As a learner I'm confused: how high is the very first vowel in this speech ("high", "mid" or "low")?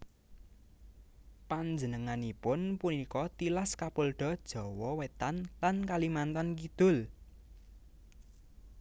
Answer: low